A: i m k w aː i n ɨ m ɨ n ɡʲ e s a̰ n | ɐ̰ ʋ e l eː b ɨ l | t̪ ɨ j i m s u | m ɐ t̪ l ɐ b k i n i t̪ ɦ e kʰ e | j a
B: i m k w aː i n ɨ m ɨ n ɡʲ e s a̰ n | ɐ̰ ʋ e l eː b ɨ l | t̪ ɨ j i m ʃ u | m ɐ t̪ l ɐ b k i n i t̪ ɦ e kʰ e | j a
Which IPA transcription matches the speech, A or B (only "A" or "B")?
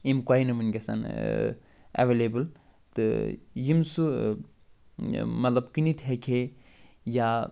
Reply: A